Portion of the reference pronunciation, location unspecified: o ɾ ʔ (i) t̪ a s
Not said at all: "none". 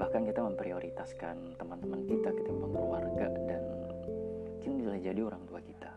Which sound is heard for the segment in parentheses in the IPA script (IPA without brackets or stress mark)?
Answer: i